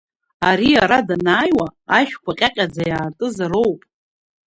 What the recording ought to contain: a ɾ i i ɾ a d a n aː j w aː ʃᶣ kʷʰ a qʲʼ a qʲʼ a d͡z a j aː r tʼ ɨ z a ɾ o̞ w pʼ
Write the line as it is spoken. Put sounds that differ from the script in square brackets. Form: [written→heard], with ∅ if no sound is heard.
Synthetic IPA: a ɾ i [i→a] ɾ a d a n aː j w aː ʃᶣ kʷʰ a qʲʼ a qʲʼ a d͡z a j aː r tʼ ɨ z a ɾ o̞ w pʼ

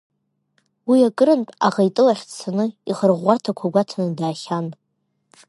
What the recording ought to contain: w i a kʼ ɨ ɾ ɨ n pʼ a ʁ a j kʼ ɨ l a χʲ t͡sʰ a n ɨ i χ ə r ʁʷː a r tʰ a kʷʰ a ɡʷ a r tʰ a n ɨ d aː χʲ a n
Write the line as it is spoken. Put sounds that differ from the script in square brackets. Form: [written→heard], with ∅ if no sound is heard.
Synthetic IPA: w i a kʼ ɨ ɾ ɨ n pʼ a ʁ a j [kʼ→tʼ] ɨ l a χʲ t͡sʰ a n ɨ i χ ə r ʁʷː a r tʰ a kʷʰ a ɡʷ a [r→∅] tʰ a n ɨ d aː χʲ a n

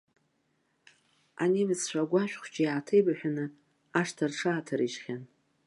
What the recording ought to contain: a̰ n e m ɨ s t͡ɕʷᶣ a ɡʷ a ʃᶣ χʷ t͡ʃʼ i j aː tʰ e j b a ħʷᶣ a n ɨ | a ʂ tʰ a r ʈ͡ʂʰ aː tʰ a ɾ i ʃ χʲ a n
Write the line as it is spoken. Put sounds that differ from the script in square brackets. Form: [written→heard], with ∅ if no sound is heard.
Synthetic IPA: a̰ n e m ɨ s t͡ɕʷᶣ a ɡʷ a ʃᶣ χʷ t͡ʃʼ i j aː tʰ e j b a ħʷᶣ a n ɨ | a ʂ tʰ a r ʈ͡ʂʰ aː tʰ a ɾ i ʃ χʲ a n

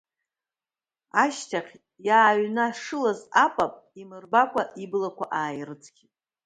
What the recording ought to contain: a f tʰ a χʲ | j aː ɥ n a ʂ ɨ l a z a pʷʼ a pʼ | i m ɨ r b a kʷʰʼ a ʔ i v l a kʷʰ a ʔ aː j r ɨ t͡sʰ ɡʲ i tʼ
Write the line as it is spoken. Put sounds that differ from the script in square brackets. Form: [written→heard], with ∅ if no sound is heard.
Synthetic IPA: a [f→ʃ] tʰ a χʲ | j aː ɥ n a ʂ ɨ l a z a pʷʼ a pʼ | i m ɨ r b a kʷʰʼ a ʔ i [v→b] l a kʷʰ a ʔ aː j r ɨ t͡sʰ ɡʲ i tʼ

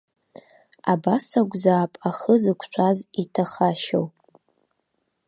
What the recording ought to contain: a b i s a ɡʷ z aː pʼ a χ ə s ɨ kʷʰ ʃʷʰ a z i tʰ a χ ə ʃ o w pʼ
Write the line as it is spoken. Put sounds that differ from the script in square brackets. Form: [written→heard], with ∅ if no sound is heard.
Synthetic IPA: a b [i→a] s a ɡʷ z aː pʼ a χ ə [s→z] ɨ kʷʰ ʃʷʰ a z i tʰ a χ [ə→a] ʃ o w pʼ

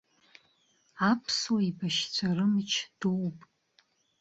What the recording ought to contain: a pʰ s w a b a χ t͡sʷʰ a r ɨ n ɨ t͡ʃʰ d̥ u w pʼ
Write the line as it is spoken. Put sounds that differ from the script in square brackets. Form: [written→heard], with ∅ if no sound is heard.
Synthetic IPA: a pʰ s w [a→i] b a [χ→ʃ] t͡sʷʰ a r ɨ [n→m] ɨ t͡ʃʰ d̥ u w pʼ

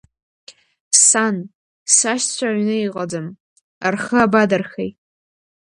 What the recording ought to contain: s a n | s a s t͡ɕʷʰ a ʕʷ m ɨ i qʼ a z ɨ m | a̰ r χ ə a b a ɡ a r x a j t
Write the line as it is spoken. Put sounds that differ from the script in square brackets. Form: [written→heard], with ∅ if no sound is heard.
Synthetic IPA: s a n | s a [s→ʃ] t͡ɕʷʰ a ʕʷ [m→n] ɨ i qʼ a [z→d͡z] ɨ m | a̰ r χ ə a b a [ɡ→d] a r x [a→e] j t

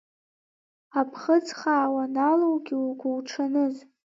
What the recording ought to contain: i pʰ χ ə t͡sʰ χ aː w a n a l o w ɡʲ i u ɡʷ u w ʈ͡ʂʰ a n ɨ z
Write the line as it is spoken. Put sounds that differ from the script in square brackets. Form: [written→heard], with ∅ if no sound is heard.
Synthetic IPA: [i→a] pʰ χ ə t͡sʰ χ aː w a n a l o w ɡʲ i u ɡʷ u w ʈ͡ʂʰ a n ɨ z

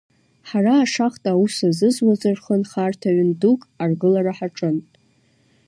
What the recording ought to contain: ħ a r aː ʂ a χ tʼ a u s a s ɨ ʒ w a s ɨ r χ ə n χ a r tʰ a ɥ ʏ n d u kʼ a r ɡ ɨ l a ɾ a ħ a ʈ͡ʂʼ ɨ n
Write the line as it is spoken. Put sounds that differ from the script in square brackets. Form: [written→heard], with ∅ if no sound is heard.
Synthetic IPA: ħ a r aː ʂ a χ tʼ a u s a [s→z] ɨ [ʒ→z] w a [s→z] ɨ r χ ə n χ a r tʰ a ɥ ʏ n d u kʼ a r ɡ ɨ l a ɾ a ħ a ʈ͡ʂʼ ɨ n

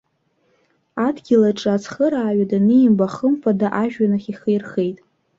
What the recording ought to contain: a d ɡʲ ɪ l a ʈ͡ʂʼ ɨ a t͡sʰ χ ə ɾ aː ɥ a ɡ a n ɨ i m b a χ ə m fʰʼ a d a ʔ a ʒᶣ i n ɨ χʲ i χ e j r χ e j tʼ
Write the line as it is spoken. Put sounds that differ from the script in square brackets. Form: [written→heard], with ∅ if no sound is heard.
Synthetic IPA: a d ɡʲ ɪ l a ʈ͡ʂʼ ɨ a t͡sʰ χ ə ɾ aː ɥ a [ɡ→d] a n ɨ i m b a χ ə m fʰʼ a d a ʔ a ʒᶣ [i→a] n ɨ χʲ i χ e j r χ e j tʼ

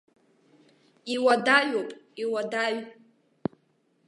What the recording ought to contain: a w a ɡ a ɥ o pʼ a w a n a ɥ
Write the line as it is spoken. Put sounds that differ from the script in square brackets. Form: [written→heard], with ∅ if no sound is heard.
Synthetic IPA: [a→i] w a [ɡ→d] a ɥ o pʼ [a→i] w a [n→d] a ɥ

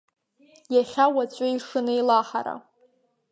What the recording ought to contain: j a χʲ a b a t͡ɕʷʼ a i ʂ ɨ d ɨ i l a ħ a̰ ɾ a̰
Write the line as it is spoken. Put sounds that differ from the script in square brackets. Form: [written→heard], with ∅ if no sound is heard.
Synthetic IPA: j a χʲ a [b→w] a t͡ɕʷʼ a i ʂ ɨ [d→n] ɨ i l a ħ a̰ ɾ a̰

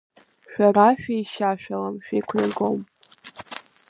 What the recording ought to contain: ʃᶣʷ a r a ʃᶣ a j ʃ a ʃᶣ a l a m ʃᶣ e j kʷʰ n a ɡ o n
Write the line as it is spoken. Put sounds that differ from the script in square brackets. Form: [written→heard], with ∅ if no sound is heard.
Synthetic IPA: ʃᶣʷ a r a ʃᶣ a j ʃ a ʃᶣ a l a m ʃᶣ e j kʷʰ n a ɡ o [n→m]

